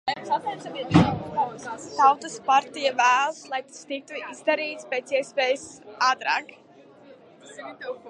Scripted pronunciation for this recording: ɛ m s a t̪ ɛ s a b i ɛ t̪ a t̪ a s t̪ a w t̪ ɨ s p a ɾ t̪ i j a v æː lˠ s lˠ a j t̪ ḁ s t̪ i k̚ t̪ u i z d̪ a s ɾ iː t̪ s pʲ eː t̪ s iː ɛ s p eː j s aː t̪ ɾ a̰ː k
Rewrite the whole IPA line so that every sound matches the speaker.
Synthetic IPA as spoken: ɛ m s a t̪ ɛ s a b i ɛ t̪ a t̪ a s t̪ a w t̪ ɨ s p a ɾ t̪ i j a v æː lˠ s lˠ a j t̪ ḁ s t̪ i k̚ t̪ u i z d̪ a ɾ iː t̪ s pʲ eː t̪ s i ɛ s p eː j s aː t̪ ɾ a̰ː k